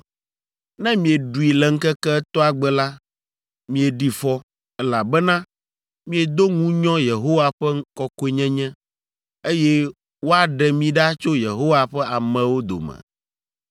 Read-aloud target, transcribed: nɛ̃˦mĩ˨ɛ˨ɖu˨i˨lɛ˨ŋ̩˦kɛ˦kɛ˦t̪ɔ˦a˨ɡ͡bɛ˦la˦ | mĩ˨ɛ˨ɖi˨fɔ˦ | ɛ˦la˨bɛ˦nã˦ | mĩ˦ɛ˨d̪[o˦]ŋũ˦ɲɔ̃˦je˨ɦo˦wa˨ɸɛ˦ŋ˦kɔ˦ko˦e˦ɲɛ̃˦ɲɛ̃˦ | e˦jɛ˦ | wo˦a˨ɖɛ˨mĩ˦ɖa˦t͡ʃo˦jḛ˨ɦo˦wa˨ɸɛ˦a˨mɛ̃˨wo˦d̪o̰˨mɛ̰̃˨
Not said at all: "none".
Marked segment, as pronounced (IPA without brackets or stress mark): o˦